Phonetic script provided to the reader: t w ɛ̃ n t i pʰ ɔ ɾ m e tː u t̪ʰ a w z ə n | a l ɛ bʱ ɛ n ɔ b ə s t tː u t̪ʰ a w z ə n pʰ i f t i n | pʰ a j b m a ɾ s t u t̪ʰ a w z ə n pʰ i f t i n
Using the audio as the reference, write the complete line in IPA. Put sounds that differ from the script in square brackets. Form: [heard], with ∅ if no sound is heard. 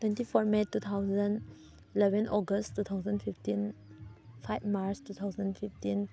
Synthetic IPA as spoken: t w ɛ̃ n t i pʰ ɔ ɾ m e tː u t̪ʰ a w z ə n | [i] l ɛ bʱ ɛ n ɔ [ɡ] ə s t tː u t̪ʰ a w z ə n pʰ i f t i n | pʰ a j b m a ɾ s t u t̪ʰ a w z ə n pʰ i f t i n